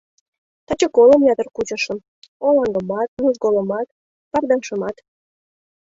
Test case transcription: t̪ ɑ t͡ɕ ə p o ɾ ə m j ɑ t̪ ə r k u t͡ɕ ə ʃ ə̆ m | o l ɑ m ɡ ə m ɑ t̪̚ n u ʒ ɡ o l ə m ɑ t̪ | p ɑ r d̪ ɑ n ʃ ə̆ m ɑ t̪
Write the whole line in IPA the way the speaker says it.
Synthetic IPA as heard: t̪ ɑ t͡ɕ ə k o l ə m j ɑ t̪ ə r k u t͡ɕ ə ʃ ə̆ m | o l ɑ ŋ ɡ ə m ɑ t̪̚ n u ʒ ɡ o l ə m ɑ t̪ | p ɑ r d̪ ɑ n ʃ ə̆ m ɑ t̪